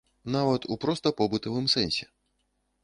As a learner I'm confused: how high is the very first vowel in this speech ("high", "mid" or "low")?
low